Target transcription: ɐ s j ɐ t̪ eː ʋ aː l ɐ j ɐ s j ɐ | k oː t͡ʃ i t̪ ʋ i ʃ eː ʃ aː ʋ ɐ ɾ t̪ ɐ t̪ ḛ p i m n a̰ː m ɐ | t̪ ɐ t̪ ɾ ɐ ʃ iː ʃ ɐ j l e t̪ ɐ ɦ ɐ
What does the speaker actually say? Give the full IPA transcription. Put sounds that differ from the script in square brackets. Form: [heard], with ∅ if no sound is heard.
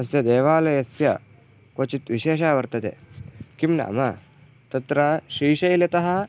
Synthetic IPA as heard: ɐ s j ɐ [d̪] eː ʋ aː l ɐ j ɐ s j ɐ | k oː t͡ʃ i t̪ ʋ i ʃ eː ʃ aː ʋ ɐ ɾ t̪ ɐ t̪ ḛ [k] i m n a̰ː m ɐ | t̪ ɐ t̪ ɾ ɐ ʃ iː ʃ ɐ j l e t̪ ɐ ɦ ɐ